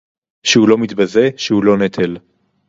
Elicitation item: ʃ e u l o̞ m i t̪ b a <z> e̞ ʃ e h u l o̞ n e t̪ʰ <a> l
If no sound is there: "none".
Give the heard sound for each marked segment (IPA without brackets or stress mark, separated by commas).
z, e